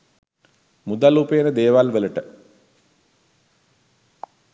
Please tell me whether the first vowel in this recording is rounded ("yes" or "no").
yes